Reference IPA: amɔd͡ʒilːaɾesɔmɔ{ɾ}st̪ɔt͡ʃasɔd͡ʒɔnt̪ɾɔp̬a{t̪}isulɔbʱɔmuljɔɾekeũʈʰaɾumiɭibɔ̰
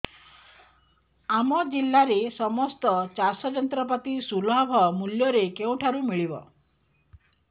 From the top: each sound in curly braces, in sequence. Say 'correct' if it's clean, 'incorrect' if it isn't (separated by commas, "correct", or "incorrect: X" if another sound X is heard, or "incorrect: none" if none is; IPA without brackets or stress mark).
incorrect: none, correct